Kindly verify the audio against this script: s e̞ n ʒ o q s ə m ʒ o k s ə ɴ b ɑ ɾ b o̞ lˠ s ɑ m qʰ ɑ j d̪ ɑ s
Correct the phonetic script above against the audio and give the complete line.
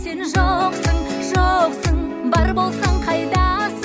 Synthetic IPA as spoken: s e̞ n ʒ o q s ə ɴ ʒ o q s ə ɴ b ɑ ɾ b o̞ lˠ s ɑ ɴ qʰ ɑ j d̪ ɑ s